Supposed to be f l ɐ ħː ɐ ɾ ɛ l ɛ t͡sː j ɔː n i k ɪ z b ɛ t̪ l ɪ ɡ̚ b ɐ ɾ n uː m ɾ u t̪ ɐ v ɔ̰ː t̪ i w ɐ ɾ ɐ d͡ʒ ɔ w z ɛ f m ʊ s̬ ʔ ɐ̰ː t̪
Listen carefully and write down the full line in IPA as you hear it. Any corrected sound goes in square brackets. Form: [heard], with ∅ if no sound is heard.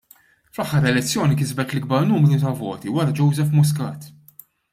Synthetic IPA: f l ɐ ħː ɐ ɾ ɛ l ɛ t͡sː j ɔː n i k ɪ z b ɛ t̪ l ɪ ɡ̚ b ɐ ɾ n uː m ɾ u t̪ ɐ v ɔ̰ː t̪ i w ɐ ɾ ɐ d͡ʒ ɔ w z ɛ f m ʊ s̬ [k] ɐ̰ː t̪